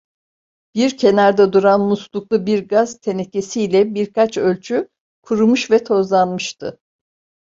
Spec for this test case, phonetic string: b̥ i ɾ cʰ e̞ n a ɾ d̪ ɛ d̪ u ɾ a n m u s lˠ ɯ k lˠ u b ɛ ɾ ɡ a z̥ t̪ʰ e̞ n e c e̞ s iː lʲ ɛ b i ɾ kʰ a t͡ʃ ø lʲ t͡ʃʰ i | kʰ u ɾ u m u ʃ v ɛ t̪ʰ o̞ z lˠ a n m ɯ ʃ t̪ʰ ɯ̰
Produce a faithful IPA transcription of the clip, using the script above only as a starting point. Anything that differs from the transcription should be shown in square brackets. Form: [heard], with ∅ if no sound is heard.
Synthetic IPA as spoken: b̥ i ɾ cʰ e̞ n a ɾ d̪ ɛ d̪ u ɾ a n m u s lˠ [u] k lˠ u b [i] ɾ ɡ a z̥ t̪ʰ e̞ n e c e̞ s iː lʲ ɛ b i ɾ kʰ a t͡ʃ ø lʲ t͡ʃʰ [y] | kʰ u ɾ u m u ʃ v ɛ t̪ʰ o̞ z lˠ a n m ɯ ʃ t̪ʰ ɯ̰

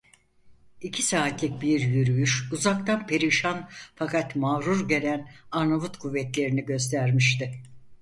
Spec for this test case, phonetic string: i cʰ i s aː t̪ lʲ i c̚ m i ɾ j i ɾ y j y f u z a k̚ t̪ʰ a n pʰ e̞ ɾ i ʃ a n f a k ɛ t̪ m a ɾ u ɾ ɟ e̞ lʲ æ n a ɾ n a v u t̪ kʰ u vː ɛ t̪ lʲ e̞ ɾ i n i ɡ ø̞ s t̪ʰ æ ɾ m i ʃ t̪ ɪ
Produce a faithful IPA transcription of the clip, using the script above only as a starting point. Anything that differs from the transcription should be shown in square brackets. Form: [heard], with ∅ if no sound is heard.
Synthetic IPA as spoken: i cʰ i s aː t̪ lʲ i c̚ [b] i ɾ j [y] ɾ y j y [ʃ] u z a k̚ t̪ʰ a n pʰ e̞ ɾ i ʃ a n f a k [a] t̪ m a ɾ u ɾ ɟ e̞ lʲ æ n a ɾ n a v u t̪ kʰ u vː ɛ t̪ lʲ e̞ ɾ i n i [ɟ] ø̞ s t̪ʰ æ ɾ m i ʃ t̪ ɪ

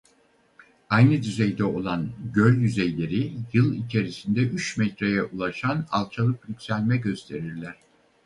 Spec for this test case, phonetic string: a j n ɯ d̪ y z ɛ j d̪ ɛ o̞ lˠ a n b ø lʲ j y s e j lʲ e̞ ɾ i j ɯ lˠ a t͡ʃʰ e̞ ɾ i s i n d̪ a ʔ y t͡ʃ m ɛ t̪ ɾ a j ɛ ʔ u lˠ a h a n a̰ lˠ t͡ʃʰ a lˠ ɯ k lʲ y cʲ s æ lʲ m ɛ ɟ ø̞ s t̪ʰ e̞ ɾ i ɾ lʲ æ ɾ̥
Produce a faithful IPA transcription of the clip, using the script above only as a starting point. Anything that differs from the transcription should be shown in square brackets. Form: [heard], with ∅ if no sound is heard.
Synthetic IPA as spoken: a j n ɯ d̪ y z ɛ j d̪ ɛ o̞ lˠ a n [ɟ] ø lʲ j y [z] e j lʲ e̞ ɾ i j ɯ lˠ [i] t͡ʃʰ e̞ ɾ i s i n d̪ [ɛ] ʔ y t͡ʃ m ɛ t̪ ɾ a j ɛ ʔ u lˠ a [ʃ] a n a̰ lˠ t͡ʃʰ a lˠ ɯ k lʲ y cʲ s æ lʲ m ɛ ɟ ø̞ s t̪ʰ e̞ ɾ i ɾ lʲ æ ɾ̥

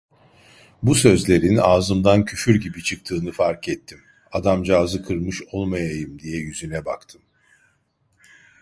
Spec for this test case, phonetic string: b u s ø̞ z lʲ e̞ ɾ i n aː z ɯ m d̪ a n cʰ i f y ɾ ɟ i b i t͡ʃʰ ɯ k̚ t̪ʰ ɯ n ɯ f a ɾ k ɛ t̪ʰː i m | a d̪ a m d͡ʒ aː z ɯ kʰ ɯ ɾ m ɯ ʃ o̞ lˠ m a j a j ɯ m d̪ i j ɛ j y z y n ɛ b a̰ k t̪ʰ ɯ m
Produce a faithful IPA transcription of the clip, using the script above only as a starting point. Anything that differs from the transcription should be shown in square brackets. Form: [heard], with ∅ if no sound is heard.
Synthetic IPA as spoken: b u s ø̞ z lʲ e̞ ɾ i n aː z ɯ m d̪ a n cʰ [y] f y ɾ ɟ i b i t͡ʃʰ ɯ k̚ t̪ʰ [ɯː] n ɯ f a ɾ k ɛ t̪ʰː i m | a d̪ a m d͡ʒ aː z ɯ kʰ ɯ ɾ m ɯ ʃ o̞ lˠ m a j a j ɯ m d̪ i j ɛ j y z y n ɛ b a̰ k t̪ʰ ɯ m

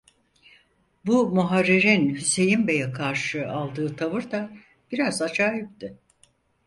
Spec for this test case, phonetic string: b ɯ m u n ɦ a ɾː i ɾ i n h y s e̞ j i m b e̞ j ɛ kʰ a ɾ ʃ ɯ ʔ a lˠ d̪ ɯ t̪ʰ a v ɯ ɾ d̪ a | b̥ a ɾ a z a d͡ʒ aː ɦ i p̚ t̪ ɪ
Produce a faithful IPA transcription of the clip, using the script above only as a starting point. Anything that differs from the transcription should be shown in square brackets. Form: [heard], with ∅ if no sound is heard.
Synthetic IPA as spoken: b [u] m u [∅] ɦ a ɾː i ɾ i n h y s e̞ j i m b e̞ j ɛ kʰ a ɾ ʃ ɯ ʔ a lˠ d̪ [ɯː] t̪ʰ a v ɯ ɾ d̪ a | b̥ [i] ɾ a z a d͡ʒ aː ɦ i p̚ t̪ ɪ

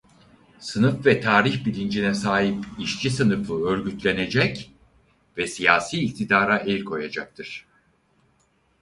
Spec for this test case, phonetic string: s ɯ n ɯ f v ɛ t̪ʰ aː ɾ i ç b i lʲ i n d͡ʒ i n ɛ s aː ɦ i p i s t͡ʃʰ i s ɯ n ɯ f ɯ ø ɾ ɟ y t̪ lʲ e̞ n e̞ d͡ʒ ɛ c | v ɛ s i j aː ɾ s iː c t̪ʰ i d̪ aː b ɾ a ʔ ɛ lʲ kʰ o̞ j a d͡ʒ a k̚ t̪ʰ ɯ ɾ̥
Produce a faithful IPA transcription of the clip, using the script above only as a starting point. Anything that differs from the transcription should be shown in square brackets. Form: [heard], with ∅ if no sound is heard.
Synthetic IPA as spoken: s ɯ n ɯ f v ɛ t̪ʰ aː ɾ i ç b i lʲ i n d͡ʒ i n ɛ s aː ɦ i p i [ʃ] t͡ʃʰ i s ɯ n ɯ f ɯ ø ɾ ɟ y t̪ lʲ e̞ n e̞ d͡ʒ ɛ c | v ɛ s i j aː [∅] s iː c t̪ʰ i d̪ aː [∅] ɾ a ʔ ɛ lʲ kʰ o̞ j a d͡ʒ a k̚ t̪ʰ ɯ ɾ̥

